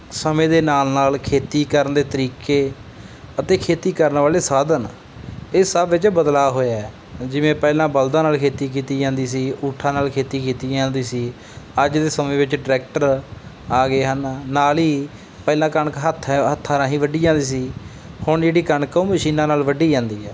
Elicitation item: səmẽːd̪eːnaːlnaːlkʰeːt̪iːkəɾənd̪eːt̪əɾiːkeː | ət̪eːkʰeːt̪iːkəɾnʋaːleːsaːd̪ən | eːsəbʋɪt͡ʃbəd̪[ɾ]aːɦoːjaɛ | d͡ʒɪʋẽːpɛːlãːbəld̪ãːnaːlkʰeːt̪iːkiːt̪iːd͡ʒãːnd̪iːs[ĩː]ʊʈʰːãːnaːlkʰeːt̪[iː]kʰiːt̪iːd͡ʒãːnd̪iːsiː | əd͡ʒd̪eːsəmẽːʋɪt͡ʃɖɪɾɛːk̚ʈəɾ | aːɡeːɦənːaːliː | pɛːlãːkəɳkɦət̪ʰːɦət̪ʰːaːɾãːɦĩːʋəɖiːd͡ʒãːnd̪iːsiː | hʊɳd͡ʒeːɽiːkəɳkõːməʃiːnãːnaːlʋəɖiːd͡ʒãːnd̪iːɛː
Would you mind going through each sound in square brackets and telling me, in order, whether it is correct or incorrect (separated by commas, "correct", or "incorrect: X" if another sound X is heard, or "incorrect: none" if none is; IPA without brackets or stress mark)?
incorrect: l, incorrect: iː, correct